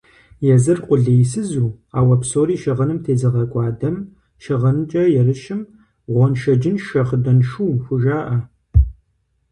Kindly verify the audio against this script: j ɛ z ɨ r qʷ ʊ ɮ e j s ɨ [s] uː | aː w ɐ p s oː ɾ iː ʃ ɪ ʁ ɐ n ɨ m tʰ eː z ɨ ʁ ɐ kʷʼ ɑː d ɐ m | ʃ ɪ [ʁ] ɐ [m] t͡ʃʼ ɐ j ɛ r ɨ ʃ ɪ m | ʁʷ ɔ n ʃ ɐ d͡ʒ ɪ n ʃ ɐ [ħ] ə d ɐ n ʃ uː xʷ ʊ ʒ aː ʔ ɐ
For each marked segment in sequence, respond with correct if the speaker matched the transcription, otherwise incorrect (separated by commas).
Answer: incorrect, correct, incorrect, incorrect